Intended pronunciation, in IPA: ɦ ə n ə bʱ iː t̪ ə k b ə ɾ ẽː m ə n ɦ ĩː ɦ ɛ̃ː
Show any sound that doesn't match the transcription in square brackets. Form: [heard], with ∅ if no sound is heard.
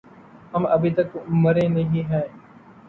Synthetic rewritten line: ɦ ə [m] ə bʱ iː t̪ ə k [m] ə ɾ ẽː [n] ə [∅] ɦ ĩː ɦ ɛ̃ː